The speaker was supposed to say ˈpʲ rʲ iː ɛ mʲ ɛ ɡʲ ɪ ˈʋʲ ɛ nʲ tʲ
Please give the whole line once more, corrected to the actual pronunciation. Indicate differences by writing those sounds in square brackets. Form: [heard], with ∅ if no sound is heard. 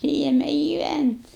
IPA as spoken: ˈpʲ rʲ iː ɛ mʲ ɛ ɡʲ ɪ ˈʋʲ [æ] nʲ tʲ